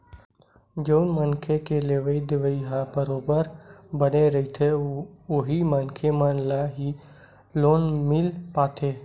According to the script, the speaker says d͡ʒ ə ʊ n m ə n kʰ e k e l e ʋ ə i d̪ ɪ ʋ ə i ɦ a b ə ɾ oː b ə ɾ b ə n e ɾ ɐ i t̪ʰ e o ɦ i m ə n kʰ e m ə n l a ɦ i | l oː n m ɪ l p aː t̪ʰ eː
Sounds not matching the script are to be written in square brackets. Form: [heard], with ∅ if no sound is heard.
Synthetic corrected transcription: d͡ʒ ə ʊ n m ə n kʰ e k e l e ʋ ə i d̪ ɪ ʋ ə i ɦ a b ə ɾ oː b ə ɾ b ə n e ɾ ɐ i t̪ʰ e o ɦ i m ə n kʰ e m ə n l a ɦ i | l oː n m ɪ l p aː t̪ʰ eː